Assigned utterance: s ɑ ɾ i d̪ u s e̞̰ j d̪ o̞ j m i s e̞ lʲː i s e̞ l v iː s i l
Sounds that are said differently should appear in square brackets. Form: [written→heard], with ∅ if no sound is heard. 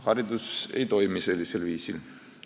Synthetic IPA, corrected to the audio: [s→h] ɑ ɾ i d̪ u s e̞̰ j [d̪→t̪] o̞ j m i s e̞ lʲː i s e̞ l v iː s i l